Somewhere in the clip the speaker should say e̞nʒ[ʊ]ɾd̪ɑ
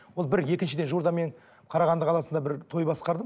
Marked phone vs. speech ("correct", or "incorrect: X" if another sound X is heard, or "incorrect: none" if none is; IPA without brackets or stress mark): incorrect: u